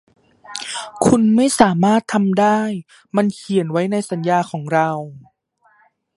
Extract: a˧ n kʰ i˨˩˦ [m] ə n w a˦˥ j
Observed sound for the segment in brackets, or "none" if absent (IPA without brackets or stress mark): none